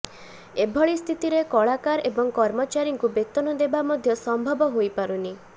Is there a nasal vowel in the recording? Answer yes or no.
no